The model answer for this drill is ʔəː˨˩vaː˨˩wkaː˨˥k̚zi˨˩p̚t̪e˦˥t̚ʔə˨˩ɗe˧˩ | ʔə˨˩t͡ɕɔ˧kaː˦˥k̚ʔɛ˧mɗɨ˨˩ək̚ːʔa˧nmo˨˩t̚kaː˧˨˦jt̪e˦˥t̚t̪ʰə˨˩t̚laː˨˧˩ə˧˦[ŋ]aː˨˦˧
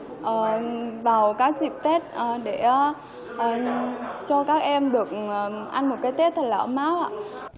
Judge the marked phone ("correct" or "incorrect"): incorrect